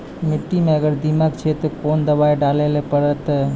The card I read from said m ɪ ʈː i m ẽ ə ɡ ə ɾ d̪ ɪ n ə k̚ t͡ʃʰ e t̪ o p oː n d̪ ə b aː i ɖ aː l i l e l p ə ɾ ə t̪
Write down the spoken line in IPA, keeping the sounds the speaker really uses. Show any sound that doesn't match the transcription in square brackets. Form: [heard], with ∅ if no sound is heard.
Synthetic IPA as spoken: m ɪ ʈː i m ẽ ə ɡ ə ɾ d̪ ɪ [m] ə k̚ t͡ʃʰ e t̪ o [k] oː n d̪ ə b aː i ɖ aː l [e] l e [∅] p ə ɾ ə t̪